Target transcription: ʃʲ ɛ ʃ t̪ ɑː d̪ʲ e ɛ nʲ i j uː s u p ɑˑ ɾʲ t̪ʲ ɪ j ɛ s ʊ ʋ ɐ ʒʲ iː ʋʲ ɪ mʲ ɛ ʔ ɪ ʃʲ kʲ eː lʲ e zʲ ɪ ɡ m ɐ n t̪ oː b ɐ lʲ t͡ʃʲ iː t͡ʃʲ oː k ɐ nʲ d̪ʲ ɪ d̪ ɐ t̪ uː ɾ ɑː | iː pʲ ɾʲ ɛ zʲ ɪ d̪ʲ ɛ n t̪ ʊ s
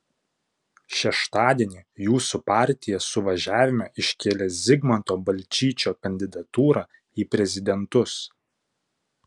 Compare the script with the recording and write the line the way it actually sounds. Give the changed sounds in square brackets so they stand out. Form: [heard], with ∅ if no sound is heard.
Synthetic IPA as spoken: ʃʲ ɛ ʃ t̪ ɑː d̪ʲ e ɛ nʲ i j uː s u p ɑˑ ɾʲ t̪ʲ ɪ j ɛ s ʊ ʋ ɐ ʒʲ [æː] ʋʲ ɪ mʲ ɛ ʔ ɪ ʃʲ kʲ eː lʲ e zʲ ɪ ɡ m ɐ n t̪ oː b ɐ lʲ t͡ʃʲ iː t͡ʃʲ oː k ɐ nʲ d̪ʲ ɪ d̪ ɐ t̪ uː ɾ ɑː | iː pʲ ɾʲ ɛ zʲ ɪ d̪ʲ ɛ n t̪ ʊ s